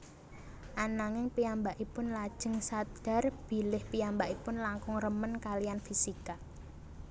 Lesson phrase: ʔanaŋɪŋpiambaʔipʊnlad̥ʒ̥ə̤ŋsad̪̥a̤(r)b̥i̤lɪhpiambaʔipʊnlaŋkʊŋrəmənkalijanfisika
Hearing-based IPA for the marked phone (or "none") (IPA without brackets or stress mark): r